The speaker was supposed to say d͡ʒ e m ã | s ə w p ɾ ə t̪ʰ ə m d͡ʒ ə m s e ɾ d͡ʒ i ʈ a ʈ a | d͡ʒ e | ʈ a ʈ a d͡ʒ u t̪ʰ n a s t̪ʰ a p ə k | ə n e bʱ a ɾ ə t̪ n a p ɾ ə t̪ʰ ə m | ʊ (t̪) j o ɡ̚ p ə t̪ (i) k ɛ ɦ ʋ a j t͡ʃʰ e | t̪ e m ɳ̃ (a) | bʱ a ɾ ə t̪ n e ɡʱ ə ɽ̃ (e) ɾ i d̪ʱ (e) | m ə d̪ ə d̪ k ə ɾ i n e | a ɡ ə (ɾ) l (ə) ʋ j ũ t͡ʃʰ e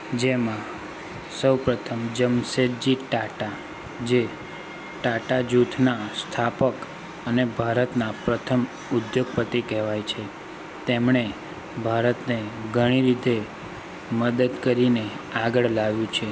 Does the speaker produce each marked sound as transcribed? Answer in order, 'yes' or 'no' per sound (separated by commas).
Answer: no, yes, no, no, yes, no, no